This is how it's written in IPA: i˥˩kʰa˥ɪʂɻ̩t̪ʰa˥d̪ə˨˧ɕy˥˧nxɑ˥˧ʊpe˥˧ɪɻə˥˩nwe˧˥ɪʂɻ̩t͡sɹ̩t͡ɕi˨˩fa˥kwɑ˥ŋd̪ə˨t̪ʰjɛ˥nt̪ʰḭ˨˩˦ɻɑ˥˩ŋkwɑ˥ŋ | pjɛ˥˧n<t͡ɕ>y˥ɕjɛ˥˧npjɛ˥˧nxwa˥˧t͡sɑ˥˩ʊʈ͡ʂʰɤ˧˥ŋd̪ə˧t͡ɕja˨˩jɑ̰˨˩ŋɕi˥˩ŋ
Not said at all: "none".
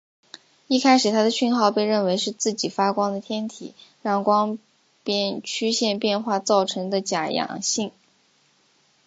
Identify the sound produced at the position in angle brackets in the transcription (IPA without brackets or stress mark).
t͡ɕʰ